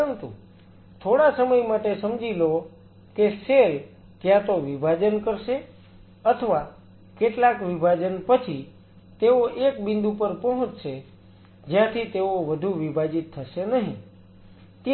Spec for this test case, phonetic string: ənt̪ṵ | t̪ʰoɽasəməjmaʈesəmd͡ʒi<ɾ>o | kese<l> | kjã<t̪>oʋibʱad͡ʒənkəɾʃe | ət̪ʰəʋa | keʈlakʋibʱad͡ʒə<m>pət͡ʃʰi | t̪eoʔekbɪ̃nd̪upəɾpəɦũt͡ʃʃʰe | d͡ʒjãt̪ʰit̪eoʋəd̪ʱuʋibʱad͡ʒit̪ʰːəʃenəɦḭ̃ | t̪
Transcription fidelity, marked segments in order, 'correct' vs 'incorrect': incorrect, correct, correct, incorrect

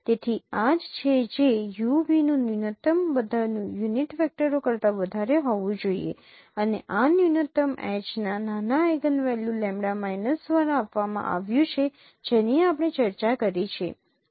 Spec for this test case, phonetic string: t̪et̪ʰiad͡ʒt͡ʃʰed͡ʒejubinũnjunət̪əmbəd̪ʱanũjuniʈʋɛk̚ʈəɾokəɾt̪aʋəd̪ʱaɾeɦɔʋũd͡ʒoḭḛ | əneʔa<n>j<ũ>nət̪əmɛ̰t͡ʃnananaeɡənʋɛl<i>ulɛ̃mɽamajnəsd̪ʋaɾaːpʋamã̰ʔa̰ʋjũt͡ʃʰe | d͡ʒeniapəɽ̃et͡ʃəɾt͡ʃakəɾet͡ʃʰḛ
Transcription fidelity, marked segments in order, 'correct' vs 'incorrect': correct, incorrect, incorrect

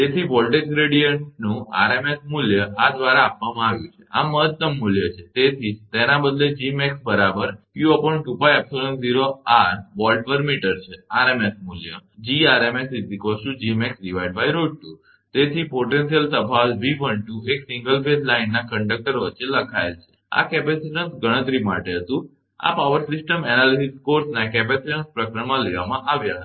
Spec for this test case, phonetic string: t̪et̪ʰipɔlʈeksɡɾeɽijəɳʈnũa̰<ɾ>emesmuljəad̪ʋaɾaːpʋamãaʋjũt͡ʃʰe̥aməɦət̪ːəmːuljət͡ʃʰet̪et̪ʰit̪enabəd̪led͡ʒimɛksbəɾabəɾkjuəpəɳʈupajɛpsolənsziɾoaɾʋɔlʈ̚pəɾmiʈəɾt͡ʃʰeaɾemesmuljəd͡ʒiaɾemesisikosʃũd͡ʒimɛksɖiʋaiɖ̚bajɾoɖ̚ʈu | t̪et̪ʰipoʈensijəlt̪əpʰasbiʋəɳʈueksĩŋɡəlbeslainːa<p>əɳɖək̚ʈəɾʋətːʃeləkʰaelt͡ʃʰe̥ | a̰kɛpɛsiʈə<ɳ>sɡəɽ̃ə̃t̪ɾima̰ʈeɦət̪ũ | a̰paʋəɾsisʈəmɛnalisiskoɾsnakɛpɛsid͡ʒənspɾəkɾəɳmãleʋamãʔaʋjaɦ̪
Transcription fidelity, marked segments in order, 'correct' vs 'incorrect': correct, incorrect, incorrect

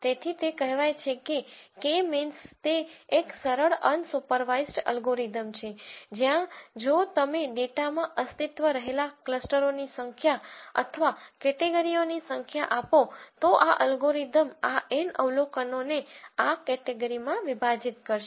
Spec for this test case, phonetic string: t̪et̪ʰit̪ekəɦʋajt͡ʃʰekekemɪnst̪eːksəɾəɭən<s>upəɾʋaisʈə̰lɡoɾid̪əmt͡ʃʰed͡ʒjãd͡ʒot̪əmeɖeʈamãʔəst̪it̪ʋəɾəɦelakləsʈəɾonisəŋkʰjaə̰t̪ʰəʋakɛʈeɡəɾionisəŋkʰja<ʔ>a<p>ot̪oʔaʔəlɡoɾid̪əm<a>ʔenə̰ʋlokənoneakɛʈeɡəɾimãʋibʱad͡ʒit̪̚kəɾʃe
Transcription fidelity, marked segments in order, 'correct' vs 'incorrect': correct, correct, correct, correct

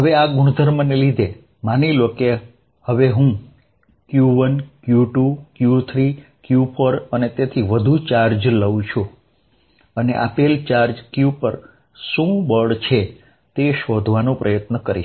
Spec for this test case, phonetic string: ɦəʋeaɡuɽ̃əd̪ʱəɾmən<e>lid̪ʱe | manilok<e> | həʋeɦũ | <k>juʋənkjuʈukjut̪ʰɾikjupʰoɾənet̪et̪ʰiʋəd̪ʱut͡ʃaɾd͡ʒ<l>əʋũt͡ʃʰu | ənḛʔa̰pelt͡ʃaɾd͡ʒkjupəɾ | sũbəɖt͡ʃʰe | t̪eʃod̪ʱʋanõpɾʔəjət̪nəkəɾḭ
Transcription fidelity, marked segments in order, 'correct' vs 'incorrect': correct, correct, correct, correct

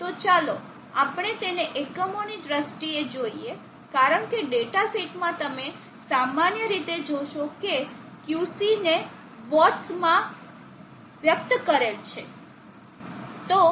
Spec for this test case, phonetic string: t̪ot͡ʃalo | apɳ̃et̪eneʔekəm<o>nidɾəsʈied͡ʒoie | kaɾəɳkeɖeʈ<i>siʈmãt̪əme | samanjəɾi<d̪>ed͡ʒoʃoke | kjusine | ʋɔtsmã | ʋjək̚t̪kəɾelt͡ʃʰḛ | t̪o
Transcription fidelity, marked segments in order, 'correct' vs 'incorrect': correct, incorrect, incorrect

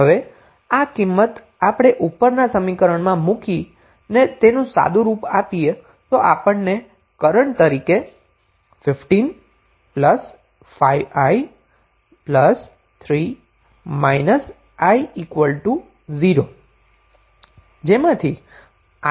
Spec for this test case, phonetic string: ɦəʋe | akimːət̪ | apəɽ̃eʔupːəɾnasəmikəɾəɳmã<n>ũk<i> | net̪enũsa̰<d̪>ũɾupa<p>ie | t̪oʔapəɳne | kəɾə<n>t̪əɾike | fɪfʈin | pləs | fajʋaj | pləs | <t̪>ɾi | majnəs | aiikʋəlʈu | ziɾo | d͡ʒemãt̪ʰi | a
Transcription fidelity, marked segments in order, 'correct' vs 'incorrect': incorrect, correct, correct, correct, incorrect, incorrect

